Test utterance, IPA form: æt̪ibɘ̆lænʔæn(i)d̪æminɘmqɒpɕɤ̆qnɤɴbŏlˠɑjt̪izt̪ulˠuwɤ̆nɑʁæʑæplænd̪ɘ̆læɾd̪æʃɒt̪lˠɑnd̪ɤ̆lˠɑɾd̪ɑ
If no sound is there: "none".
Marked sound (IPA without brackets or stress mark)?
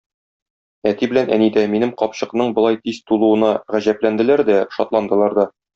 i